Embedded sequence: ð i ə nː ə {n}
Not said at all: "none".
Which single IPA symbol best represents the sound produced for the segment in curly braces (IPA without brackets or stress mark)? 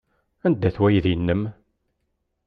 m